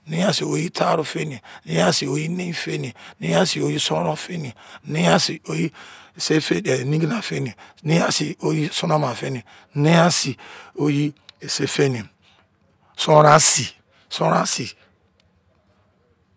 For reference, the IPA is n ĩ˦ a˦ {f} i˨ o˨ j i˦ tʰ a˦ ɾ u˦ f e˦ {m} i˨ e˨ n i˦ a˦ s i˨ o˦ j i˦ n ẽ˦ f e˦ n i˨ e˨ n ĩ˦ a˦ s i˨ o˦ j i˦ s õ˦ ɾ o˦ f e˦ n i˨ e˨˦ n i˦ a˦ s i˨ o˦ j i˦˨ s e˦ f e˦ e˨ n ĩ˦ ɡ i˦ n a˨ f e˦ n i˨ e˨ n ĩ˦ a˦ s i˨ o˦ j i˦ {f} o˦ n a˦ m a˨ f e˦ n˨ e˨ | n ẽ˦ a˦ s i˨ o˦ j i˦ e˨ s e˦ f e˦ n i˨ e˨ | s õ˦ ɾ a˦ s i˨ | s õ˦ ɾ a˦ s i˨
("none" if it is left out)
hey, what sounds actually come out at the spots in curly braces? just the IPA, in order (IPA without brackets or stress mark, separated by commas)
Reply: s, n, s